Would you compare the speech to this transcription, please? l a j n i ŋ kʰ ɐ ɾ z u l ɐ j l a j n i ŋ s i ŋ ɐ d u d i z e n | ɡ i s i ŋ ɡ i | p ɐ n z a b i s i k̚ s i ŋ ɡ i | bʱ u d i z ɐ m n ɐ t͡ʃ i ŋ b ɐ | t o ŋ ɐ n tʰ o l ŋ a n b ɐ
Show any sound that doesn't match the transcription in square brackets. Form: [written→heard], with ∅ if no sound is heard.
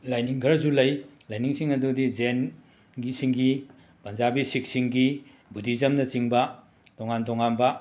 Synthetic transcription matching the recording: l a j n i ŋ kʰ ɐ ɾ z u l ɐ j l a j n i ŋ s i ŋ ɐ d u d i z e n | ɡ i s i ŋ ɡ i | p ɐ n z a b i s i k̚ s i ŋ ɡ i | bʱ u d i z ɐ m n ɐ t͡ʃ i ŋ b ɐ | t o ŋ [ɐ→a] n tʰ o [l→∅] ŋ a n b ɐ